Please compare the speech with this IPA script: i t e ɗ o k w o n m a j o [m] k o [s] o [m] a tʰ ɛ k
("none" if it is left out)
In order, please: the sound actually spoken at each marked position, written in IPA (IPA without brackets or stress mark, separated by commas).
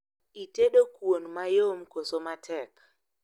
m, s, m